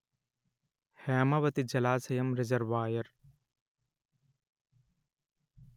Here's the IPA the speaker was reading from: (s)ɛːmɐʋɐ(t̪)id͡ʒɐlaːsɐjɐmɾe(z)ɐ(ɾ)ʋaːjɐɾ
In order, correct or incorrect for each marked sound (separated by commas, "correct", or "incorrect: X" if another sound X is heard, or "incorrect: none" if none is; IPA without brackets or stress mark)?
incorrect: h, correct, correct, correct